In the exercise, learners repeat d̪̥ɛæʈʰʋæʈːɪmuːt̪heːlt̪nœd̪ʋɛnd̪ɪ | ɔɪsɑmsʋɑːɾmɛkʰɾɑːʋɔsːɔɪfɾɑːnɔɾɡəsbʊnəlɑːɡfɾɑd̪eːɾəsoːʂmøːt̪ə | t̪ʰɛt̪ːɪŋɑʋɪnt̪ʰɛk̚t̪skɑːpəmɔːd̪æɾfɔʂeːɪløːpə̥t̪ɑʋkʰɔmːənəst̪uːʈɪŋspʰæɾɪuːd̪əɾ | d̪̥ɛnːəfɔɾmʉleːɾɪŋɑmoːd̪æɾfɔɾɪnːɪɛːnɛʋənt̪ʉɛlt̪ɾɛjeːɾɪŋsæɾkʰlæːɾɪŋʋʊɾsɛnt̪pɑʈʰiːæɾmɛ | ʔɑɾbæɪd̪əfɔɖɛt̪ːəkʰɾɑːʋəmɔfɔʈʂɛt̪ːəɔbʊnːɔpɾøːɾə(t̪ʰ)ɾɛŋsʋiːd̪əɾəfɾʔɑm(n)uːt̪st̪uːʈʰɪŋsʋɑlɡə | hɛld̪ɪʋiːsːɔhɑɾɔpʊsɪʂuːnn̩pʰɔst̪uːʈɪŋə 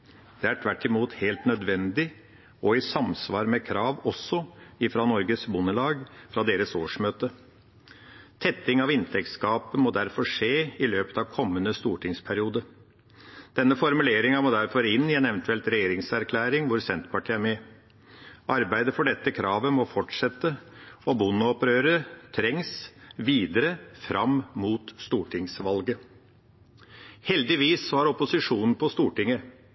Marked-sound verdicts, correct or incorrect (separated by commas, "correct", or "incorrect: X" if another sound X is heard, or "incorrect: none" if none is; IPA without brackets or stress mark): correct, incorrect: m